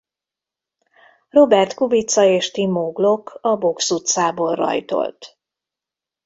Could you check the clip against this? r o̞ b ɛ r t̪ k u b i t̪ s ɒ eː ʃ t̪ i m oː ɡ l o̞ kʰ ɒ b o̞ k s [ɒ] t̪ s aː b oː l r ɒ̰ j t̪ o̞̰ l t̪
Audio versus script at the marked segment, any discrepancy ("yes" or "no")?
yes